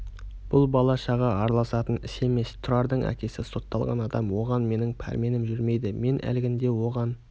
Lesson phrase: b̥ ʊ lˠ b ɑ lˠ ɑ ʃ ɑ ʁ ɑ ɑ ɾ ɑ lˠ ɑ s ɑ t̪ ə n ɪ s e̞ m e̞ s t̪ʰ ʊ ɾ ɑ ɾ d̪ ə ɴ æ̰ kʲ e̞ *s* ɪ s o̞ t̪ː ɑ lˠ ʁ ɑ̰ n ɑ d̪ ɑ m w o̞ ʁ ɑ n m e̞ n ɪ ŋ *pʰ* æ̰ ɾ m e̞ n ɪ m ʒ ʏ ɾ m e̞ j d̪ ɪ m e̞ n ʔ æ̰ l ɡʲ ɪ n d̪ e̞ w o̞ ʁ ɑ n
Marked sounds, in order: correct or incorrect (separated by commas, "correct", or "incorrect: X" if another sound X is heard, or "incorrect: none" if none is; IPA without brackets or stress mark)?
correct, correct